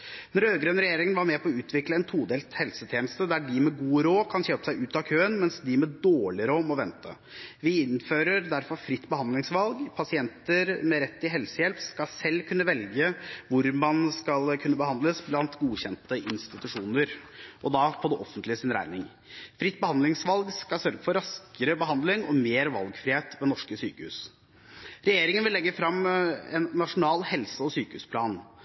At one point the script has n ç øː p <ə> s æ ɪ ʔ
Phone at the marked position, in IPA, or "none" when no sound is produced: ə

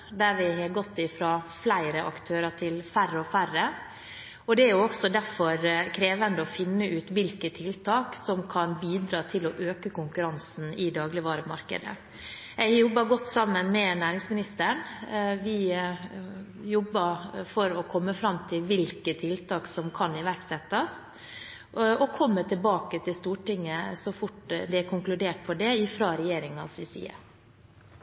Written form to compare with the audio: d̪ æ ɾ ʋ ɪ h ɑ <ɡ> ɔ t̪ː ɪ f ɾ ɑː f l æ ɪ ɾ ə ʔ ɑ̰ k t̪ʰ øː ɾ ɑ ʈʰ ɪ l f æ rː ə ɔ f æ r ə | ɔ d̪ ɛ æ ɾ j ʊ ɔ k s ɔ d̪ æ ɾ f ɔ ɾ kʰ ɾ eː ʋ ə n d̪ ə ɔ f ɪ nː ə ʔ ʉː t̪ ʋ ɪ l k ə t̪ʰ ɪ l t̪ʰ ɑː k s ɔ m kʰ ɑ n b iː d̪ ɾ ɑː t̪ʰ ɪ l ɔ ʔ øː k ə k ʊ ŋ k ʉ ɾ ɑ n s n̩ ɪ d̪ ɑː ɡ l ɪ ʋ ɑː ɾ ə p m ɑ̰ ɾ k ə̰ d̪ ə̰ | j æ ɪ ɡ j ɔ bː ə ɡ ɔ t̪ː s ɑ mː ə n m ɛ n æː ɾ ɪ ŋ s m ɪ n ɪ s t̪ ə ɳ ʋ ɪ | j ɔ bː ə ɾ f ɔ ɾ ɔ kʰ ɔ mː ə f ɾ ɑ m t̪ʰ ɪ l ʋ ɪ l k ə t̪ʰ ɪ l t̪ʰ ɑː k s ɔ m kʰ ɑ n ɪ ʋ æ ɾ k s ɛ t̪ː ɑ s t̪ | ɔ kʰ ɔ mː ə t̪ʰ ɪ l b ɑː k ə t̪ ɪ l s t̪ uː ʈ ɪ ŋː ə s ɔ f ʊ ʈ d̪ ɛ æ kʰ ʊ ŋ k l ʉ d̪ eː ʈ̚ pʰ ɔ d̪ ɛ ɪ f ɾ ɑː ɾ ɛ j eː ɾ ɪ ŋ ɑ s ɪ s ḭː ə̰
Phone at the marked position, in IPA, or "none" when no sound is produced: ɡ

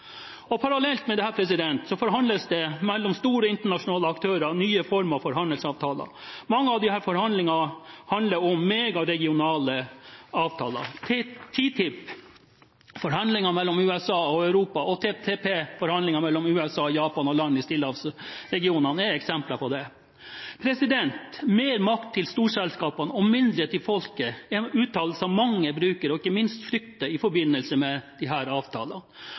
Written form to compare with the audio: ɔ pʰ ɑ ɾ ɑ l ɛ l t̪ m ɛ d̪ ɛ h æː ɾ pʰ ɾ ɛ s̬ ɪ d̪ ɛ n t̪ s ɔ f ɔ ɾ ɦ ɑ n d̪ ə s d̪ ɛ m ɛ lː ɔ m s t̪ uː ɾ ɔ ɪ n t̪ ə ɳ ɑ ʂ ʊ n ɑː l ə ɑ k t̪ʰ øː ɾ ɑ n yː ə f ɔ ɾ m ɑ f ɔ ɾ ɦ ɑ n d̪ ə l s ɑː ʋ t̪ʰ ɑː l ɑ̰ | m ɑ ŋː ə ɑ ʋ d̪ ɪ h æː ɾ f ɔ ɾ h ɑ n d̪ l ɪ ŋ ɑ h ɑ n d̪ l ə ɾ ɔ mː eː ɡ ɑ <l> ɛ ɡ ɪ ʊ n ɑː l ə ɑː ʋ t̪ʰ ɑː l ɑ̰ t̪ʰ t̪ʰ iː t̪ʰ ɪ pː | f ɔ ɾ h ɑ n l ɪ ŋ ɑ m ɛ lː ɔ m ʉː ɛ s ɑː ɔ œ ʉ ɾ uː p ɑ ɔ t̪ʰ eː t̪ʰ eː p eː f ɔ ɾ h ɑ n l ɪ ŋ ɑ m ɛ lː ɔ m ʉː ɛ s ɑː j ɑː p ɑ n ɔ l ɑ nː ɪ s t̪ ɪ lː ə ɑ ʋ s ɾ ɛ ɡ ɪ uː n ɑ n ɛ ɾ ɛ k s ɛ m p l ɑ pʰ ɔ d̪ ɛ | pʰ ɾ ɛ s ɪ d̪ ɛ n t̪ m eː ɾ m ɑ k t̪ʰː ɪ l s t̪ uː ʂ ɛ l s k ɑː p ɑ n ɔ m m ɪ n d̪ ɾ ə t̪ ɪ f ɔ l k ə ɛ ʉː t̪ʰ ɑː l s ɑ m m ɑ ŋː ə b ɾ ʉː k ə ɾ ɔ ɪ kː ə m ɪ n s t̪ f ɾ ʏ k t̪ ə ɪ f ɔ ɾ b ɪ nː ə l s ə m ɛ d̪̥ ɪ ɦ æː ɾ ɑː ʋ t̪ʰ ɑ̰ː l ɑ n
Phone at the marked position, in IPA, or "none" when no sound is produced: ɾ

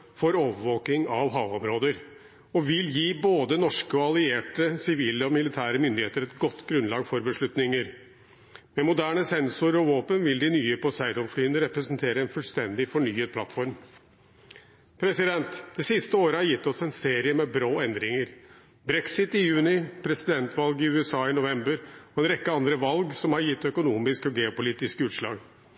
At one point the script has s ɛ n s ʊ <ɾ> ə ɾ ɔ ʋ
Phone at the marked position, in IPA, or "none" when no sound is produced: ɾ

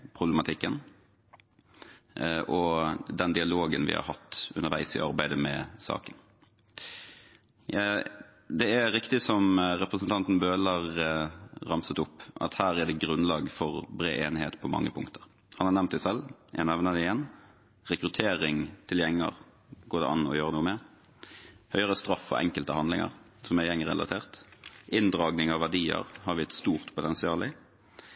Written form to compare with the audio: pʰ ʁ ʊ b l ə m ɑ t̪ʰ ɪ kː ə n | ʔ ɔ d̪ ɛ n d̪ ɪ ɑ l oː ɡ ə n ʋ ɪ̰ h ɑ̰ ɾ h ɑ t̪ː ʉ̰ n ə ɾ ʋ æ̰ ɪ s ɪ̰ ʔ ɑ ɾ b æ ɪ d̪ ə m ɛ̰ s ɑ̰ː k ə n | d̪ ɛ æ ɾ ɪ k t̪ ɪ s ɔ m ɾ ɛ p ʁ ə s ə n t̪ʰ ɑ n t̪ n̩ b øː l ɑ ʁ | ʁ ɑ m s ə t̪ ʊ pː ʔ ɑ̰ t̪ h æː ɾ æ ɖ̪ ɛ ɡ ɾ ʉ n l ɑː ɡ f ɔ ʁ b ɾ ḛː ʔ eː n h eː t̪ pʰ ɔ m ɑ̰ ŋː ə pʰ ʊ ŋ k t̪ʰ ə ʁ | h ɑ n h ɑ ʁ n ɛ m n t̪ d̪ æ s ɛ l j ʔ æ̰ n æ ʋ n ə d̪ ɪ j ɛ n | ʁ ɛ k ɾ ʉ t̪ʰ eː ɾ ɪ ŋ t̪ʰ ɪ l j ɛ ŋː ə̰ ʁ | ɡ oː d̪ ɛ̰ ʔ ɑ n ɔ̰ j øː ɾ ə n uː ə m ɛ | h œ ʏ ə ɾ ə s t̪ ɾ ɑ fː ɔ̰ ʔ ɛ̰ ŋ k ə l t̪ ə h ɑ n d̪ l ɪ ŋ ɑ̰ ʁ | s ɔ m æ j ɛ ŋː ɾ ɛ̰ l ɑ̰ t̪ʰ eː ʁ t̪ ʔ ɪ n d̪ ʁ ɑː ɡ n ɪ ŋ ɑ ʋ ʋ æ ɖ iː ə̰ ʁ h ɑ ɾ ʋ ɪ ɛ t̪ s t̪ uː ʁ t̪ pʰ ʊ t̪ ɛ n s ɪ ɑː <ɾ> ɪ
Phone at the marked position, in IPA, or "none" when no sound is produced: l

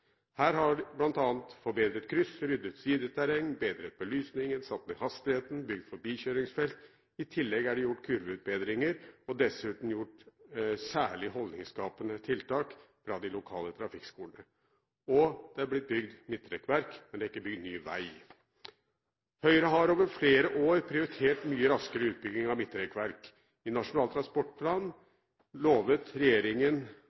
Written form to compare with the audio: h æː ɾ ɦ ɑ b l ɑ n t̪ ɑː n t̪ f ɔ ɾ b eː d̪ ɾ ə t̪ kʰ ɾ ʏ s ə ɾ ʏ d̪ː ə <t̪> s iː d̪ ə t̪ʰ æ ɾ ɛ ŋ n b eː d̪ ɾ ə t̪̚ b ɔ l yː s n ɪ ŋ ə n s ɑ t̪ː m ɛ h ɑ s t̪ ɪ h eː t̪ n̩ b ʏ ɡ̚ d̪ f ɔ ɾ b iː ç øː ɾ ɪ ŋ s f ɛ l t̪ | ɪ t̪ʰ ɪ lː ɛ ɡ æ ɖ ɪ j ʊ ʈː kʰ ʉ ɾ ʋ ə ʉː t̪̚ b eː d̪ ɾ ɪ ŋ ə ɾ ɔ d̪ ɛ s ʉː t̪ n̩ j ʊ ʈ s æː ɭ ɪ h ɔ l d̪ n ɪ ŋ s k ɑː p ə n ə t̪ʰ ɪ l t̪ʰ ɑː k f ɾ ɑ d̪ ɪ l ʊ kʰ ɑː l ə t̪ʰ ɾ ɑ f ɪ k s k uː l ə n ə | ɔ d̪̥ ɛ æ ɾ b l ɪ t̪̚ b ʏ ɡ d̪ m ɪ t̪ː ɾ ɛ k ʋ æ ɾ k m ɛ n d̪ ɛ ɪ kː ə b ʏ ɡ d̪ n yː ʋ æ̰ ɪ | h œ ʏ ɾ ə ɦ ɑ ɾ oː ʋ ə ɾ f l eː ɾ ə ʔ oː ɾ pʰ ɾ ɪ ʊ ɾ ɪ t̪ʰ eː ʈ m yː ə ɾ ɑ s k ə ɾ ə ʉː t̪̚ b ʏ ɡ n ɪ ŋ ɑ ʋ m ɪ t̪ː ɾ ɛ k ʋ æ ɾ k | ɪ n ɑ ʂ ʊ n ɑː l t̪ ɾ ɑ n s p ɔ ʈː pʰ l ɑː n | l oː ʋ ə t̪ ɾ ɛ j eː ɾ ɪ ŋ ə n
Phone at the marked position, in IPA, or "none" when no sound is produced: t̪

